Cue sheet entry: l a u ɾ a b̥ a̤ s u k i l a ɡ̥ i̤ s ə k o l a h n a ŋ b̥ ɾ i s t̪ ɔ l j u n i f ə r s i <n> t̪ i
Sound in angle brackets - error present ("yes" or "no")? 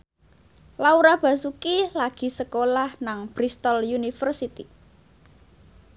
yes